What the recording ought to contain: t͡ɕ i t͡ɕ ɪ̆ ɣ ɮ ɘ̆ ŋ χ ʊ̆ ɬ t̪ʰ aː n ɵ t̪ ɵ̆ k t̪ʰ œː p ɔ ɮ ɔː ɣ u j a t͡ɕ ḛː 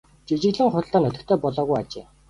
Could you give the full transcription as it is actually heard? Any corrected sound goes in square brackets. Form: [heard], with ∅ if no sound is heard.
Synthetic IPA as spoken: t͡ɕ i t͡ɕ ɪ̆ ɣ ɮ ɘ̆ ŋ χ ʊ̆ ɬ [t̪] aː n ɵ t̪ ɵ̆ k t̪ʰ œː p ɔ ɮ ɔː ɣ u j a t͡ɕ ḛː